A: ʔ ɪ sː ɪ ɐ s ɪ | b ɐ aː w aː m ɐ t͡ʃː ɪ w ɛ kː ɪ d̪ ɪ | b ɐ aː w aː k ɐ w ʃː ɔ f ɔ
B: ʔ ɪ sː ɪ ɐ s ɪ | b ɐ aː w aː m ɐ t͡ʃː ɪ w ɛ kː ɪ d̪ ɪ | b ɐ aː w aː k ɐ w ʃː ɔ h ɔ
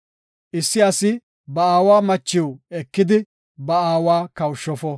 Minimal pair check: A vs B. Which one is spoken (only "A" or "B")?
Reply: A